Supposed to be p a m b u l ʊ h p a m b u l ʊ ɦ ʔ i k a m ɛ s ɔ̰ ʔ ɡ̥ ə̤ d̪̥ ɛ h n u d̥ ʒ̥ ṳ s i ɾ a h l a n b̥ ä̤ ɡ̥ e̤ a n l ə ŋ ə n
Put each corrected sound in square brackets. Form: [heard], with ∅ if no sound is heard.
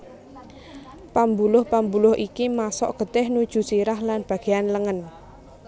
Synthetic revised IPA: p a m b u l ʊ h p a m b u l ʊ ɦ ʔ i k [i] m [a] s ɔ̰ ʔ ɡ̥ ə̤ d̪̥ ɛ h n u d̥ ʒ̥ ṳ s i ɾ a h l a n b̥ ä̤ ɡ̥ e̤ a n l ə ŋ ə n